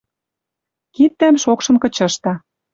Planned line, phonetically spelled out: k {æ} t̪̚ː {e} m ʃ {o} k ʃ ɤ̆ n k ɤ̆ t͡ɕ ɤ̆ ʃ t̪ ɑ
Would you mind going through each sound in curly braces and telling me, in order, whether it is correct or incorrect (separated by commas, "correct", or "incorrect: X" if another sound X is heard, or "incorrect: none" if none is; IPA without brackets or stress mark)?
incorrect: i, incorrect: æ, correct